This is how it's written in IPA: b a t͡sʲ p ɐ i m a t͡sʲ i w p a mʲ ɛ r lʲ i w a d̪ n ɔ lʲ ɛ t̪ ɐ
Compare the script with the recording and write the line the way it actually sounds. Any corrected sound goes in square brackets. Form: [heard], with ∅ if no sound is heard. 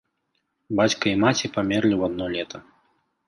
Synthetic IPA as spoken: b a t͡sʲ [k] ɐ i m a t͡sʲ i [∅] p a mʲ ɛ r lʲ i w a d̪ n ɔ lʲ ɛ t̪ ɐ